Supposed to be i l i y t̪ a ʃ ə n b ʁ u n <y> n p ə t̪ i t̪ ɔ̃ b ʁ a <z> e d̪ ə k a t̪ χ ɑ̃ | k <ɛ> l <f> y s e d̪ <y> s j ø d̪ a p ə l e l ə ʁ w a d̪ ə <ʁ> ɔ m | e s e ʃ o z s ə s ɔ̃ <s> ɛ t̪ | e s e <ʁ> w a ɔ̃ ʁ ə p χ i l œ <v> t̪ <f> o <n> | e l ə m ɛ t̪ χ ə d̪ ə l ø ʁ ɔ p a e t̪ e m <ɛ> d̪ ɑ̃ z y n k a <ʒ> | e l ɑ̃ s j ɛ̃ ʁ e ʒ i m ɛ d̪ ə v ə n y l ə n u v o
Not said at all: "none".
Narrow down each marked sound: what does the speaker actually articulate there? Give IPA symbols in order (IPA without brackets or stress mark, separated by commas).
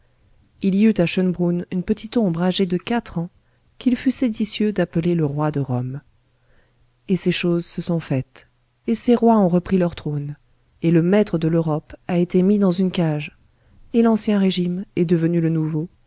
y, ʒ, i, f, i, ʁ, f, ʁ, ʁ, χ, n, i, ʒ